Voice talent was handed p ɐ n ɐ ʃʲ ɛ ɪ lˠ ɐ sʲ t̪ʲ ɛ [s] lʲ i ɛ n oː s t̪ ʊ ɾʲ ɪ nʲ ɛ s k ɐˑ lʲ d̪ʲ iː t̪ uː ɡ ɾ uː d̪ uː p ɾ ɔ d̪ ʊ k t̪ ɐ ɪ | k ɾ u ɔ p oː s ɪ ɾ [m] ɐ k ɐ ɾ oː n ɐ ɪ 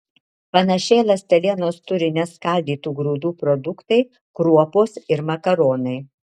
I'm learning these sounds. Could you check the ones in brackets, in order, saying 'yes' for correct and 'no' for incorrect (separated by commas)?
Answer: no, yes